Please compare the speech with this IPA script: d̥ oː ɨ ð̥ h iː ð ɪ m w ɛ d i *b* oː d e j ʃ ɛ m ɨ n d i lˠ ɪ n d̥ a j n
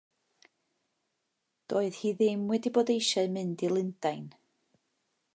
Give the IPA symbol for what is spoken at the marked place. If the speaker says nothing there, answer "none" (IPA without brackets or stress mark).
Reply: b